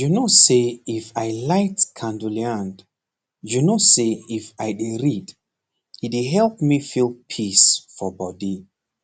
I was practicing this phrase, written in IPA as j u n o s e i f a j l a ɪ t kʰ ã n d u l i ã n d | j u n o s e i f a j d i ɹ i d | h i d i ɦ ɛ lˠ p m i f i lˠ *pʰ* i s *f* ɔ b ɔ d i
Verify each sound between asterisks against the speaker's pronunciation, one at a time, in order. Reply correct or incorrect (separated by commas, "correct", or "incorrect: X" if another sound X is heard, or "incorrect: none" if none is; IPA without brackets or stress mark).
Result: correct, correct